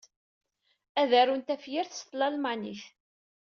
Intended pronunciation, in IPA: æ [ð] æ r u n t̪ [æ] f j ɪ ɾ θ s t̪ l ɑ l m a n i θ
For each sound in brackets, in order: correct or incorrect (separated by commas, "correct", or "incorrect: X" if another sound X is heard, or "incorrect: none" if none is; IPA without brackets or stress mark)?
correct, correct